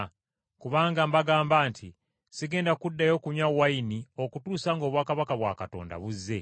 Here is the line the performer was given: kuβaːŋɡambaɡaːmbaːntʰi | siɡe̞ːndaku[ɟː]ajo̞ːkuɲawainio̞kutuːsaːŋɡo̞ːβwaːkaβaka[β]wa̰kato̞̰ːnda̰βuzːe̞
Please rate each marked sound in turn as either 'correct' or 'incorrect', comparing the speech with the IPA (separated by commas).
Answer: incorrect, correct